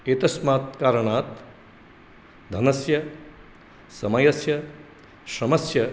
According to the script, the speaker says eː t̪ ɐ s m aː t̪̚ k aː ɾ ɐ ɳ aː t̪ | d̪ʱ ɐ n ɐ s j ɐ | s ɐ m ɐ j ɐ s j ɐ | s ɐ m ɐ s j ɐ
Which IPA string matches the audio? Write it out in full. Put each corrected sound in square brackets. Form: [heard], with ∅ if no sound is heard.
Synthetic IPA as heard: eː t̪ ɐ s m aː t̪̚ k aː ɾ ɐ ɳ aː t̪ | d̪ʱ ɐ n ɐ s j ɐ | s ɐ m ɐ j ɐ s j ɐ | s ɐ m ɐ s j ɐ